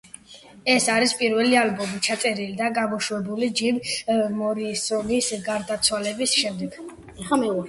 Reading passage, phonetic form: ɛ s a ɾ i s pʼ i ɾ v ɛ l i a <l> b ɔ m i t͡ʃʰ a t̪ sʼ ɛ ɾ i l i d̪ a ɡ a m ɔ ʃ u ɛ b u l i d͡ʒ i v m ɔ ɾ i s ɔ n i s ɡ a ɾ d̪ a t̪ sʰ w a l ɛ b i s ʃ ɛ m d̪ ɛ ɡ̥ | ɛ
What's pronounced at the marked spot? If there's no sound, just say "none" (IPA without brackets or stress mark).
l